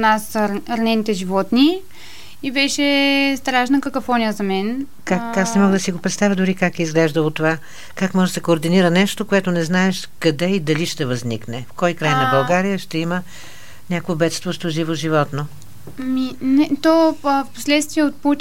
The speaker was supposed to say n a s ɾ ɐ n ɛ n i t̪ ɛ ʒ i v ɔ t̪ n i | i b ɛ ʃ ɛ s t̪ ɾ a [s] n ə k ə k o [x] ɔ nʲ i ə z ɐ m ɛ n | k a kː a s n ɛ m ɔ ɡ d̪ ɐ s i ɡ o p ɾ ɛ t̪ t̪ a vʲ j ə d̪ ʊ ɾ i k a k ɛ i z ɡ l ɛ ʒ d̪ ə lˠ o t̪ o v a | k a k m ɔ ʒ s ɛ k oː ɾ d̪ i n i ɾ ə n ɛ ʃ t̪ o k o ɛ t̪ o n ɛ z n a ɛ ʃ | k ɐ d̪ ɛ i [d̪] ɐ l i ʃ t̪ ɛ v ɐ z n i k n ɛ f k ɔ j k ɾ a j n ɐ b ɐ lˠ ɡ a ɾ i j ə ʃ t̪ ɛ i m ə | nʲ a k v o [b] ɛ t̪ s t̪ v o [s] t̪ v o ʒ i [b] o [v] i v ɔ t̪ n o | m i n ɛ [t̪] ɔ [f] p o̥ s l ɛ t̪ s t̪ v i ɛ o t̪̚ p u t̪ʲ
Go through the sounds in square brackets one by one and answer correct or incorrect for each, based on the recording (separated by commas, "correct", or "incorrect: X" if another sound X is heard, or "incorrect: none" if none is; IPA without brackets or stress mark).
incorrect: ʃ, incorrect: f, correct, correct, incorrect: ʃ, incorrect: v, incorrect: ʒ, correct, correct